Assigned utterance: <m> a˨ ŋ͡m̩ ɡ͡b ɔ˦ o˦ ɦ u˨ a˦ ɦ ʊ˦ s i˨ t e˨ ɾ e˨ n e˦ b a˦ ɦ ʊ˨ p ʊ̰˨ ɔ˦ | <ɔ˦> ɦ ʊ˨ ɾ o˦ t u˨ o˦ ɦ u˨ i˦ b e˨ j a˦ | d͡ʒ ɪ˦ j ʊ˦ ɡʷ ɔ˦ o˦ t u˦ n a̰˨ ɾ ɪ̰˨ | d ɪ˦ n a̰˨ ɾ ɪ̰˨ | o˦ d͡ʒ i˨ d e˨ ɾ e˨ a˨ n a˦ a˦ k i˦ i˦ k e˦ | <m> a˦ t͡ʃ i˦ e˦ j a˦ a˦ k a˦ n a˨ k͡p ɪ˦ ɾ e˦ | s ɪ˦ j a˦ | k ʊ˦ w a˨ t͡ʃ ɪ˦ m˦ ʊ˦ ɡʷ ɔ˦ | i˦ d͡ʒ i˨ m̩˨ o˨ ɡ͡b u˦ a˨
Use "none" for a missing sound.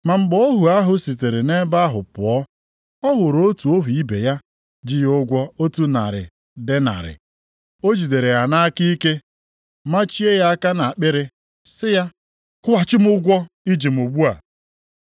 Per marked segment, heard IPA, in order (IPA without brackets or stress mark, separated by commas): m, ɔ˦, m